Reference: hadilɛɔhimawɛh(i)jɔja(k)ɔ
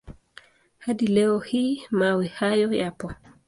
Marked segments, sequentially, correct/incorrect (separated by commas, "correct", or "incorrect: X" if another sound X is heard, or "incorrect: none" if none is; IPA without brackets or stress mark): incorrect: a, incorrect: p